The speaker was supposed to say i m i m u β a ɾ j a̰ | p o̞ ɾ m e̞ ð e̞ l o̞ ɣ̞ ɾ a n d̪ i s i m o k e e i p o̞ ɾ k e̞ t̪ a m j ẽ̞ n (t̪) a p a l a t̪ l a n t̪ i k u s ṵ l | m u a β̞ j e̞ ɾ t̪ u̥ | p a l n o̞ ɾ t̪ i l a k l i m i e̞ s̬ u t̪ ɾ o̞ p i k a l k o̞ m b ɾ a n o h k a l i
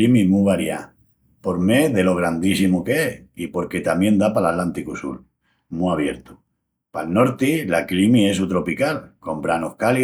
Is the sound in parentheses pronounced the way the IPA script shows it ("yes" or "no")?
no